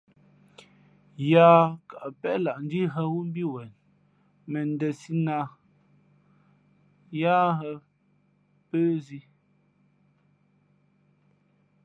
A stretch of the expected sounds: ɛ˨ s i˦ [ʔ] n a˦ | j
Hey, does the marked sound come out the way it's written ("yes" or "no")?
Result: no